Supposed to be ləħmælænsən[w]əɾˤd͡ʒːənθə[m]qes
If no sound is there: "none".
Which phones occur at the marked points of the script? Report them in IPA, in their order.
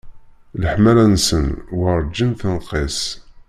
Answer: w, n

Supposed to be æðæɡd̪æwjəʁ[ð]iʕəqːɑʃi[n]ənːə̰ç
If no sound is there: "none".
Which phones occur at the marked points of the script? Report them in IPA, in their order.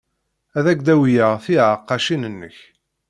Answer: θ, n

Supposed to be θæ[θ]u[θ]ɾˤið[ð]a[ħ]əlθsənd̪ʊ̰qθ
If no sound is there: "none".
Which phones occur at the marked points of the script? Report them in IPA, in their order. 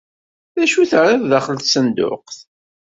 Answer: ʃ, θ, ð, χ

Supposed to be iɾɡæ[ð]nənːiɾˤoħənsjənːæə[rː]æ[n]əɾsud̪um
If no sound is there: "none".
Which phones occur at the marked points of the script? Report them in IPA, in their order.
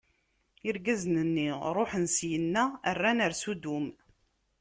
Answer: z, rː, n

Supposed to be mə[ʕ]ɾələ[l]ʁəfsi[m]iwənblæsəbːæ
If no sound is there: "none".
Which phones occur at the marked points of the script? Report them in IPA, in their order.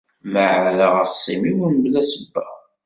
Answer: ʕ, none, m

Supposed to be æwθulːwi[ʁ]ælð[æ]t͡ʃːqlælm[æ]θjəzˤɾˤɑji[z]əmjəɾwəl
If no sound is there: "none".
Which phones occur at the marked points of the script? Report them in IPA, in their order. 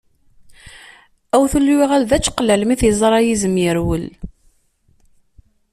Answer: ʁ, æ, i, z

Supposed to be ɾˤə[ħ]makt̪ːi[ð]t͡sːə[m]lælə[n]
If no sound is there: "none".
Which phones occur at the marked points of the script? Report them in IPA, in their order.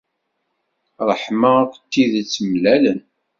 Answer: ħ, ð, m, n

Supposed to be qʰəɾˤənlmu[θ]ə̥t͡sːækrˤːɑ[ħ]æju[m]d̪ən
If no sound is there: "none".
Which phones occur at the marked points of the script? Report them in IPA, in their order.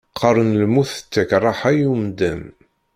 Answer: θ, ħ, m

